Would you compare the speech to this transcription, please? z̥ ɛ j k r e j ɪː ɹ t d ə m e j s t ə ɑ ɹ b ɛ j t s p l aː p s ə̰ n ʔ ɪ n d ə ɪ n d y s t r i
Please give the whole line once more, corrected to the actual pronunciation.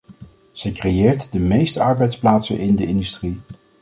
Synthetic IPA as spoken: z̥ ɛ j k r e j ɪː ɹ t d ə m e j s t ə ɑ ɹ b ɛ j t s p l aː t s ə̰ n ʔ ɪ n d ə ɪ n d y s t r i